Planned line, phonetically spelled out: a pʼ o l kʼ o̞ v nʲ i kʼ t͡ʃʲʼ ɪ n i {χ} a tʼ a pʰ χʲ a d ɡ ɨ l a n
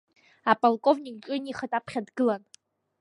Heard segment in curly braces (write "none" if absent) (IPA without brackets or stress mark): χ